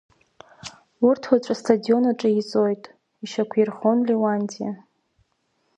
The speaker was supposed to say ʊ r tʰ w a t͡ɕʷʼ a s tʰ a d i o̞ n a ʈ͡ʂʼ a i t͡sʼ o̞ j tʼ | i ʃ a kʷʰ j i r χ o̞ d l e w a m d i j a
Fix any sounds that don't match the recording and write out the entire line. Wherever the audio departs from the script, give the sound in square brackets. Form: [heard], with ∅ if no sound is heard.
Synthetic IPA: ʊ r tʰ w a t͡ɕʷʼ a s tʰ a d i o̞ n a ʈ͡ʂʼ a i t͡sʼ o̞ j tʼ | i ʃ a kʷʰ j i r χ o̞ [n] l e w a [n] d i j a